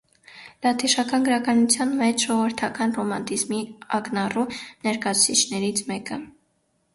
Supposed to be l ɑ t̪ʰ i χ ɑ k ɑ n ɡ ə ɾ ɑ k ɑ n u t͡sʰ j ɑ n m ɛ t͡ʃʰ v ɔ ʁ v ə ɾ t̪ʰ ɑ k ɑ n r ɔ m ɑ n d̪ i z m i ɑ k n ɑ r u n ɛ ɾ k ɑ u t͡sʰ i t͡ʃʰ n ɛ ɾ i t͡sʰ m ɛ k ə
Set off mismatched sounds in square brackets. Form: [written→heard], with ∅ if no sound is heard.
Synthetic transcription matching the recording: l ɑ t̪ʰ i [χ→ʃ] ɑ k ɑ n ɡ ə ɾ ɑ k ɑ n u t͡sʰ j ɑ n m ɛ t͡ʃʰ [v→ʒ] ɔ ʁ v ə ɾ t̪ʰ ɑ k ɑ n r ɔ m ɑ n [d̪→t̪] i z m i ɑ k n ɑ r u n ɛ ɾ k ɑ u t͡sʰ i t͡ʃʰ n ɛ ɾ i t͡sʰ m ɛ k ə